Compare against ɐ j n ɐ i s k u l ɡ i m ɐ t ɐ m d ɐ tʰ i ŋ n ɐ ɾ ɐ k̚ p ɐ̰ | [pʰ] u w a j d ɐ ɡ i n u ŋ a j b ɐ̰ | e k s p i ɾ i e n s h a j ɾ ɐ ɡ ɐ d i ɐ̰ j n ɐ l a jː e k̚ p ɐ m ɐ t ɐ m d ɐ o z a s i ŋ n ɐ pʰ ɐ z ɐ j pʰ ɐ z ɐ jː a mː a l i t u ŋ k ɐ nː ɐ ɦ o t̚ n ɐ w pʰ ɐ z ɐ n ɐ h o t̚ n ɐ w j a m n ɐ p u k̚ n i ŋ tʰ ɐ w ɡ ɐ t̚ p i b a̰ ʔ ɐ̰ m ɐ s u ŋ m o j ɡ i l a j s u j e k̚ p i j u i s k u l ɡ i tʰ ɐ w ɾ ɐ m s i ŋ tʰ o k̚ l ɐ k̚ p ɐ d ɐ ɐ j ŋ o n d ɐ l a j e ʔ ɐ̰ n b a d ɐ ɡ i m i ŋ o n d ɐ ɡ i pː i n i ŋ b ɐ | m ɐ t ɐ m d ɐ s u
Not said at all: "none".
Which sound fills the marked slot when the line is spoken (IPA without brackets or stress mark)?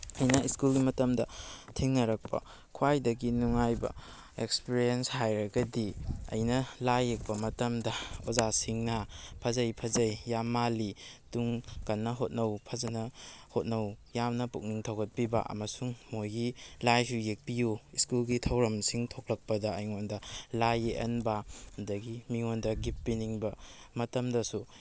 kʰ